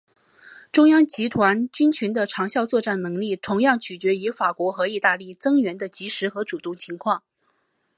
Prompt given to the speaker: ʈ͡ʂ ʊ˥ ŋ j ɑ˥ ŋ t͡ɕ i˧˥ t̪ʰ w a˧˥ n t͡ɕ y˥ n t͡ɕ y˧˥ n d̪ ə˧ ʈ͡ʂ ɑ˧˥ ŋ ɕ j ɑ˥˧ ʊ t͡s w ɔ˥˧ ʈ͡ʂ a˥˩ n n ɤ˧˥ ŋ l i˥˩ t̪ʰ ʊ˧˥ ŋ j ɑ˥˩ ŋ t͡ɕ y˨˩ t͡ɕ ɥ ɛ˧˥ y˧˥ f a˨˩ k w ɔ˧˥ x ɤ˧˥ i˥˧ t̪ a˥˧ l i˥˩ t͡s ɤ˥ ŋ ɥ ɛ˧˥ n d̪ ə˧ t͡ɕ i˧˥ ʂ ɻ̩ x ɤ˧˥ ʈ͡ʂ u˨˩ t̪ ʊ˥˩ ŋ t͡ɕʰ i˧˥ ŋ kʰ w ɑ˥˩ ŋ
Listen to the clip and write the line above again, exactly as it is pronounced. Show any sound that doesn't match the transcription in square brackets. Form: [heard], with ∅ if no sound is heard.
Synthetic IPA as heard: ʈ͡ʂ ʊ˥ ŋ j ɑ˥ ŋ t͡ɕ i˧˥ t̪ʰ w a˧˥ n t͡ɕ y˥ n [t͡ɕʰ] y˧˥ n d̪ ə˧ [ʈ͡ʂʰ] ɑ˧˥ ŋ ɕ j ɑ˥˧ ʊ t͡s w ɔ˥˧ ʈ͡ʂ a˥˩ n n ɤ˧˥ ŋ l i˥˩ t̪ʰ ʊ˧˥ ŋ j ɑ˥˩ ŋ [t͡ɕʰ] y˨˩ t͡ɕ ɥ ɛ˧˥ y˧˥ f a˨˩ k w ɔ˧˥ x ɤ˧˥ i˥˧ t̪ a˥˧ l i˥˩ t͡s ɤ˥ ŋ ɥ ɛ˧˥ n d̪ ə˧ t͡ɕ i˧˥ ʂ ɻ̩ x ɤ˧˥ ʈ͡ʂ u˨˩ t̪ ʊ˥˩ ŋ t͡ɕʰ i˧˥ ŋ kʰ w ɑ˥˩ ŋ